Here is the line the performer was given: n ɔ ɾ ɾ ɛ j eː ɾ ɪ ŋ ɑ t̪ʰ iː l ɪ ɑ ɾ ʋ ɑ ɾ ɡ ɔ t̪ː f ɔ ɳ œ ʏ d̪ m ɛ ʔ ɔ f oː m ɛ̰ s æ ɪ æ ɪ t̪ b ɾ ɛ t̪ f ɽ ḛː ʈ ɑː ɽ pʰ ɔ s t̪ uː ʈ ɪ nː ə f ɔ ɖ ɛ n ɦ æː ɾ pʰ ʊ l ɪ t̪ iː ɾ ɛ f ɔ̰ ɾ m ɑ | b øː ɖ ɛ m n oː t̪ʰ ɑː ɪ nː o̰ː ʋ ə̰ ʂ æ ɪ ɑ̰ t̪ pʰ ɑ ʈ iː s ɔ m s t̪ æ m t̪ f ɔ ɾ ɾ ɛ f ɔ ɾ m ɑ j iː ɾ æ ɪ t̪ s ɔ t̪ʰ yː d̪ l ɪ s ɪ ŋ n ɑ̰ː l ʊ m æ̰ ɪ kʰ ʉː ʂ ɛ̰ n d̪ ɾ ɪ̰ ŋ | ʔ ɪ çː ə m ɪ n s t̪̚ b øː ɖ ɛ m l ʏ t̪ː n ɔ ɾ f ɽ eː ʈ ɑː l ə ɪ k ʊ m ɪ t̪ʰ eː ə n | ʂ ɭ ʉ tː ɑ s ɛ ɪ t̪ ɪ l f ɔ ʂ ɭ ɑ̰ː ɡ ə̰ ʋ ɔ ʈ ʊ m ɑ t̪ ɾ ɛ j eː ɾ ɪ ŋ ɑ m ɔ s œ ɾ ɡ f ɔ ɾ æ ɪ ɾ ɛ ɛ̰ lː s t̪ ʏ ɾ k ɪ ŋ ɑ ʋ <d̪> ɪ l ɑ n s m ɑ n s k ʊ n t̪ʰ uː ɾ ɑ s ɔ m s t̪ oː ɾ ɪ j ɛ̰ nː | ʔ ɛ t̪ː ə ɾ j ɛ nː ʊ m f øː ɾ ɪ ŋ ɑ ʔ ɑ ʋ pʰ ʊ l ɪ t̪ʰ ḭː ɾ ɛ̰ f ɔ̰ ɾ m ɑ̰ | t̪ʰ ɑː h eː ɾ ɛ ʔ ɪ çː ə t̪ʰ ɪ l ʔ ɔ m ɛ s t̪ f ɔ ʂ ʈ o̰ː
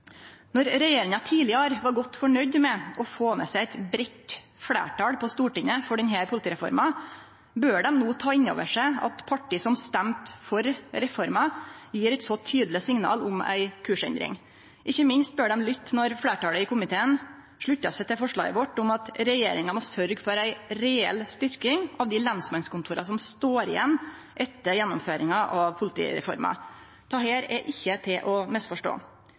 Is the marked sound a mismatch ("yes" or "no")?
no